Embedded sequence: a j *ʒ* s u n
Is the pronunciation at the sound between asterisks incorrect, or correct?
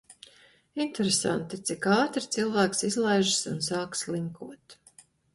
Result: correct